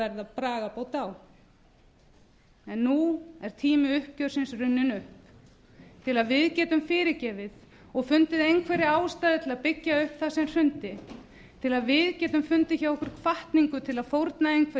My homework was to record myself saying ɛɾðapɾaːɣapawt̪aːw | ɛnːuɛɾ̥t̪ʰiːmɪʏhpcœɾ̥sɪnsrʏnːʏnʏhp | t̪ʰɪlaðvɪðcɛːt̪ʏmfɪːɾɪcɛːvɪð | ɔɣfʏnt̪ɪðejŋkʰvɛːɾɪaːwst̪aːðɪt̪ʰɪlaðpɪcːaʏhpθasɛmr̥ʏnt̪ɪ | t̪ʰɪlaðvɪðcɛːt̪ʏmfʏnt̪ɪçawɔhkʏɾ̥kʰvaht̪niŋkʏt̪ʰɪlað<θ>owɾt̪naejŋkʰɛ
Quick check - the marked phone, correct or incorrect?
incorrect: f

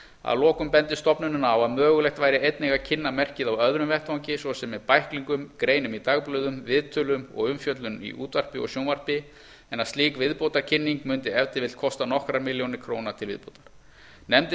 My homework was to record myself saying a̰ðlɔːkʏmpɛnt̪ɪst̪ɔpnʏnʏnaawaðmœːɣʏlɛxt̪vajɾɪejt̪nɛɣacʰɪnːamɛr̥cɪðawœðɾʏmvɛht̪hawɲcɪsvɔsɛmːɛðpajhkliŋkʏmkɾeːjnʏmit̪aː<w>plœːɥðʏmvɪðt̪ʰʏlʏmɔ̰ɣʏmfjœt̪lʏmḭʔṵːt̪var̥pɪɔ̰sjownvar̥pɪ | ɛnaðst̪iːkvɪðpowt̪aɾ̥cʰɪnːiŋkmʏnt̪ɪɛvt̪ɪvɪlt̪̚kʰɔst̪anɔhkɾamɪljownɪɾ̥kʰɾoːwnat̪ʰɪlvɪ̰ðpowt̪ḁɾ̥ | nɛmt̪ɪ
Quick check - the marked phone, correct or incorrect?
incorrect: ɣ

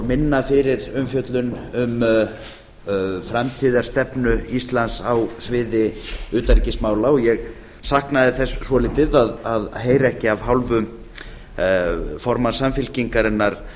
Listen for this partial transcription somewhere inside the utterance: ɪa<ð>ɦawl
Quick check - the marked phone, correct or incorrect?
incorrect: v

